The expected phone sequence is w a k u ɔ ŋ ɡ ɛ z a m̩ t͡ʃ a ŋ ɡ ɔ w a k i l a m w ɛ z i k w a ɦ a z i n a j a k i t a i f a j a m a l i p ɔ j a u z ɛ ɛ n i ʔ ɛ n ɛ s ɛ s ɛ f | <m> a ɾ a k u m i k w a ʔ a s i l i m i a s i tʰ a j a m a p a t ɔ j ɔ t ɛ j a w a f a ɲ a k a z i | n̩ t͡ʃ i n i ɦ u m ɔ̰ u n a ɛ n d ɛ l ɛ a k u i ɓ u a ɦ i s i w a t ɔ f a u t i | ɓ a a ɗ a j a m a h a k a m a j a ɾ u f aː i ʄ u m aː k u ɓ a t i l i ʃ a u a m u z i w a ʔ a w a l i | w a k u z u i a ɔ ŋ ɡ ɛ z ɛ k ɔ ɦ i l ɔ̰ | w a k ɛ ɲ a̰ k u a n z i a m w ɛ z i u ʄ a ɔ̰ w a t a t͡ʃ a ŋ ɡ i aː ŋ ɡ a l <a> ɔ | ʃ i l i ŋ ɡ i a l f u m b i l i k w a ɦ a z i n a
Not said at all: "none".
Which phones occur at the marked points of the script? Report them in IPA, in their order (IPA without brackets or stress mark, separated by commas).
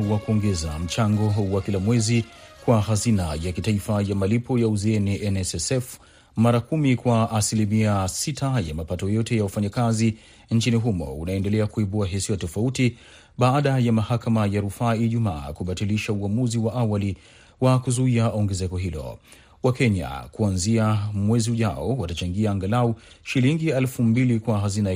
m, a